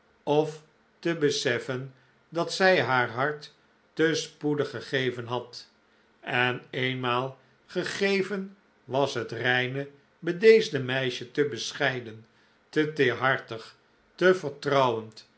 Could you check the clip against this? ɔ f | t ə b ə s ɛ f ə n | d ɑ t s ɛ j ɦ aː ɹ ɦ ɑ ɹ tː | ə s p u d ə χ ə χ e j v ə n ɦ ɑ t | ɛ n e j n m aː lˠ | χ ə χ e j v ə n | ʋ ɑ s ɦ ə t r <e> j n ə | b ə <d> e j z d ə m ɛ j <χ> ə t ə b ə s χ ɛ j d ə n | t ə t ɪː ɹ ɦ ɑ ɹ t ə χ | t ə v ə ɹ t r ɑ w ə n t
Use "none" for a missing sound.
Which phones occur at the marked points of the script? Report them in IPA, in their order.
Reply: ɛ, d, ʃ

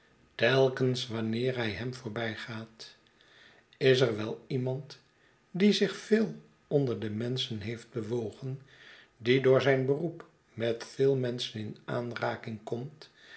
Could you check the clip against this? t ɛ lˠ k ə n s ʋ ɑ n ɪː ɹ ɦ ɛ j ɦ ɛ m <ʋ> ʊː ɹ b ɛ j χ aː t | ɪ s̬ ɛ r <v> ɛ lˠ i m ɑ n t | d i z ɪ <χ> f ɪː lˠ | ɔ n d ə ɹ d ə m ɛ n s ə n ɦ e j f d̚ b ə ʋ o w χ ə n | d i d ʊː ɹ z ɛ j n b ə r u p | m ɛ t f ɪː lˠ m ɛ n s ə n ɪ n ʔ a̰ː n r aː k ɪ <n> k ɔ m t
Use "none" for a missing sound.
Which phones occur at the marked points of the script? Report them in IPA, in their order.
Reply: v, ʋ, χ, ŋ

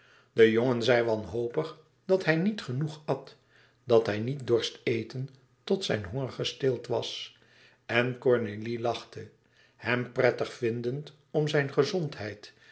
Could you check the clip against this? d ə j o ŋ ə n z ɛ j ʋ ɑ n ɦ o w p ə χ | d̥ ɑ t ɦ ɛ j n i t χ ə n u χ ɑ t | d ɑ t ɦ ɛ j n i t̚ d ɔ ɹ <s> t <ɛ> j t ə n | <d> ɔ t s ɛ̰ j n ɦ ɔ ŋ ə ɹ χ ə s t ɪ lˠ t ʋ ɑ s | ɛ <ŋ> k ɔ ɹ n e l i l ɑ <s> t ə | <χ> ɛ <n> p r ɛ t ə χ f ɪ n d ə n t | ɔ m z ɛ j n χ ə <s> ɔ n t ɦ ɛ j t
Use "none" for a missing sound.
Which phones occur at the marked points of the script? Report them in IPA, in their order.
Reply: s, e, t, n, χ, h, m, z

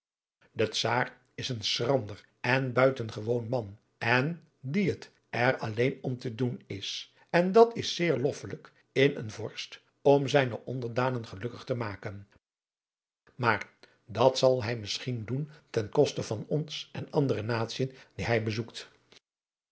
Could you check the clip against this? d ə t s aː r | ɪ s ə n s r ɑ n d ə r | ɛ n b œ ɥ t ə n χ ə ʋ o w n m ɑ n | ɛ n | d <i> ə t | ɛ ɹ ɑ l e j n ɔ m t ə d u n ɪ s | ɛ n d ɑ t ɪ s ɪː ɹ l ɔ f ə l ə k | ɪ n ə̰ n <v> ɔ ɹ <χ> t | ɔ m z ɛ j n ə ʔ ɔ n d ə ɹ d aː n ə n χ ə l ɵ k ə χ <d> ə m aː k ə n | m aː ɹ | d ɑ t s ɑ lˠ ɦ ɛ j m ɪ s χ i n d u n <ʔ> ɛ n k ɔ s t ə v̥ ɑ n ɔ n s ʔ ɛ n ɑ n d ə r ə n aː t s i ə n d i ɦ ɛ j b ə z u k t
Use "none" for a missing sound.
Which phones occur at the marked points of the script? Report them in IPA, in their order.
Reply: i, v, s, t, t

